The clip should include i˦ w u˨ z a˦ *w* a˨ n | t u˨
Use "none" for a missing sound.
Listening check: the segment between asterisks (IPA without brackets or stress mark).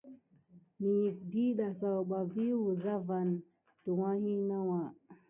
v